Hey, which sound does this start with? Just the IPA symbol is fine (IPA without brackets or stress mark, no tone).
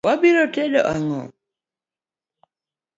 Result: w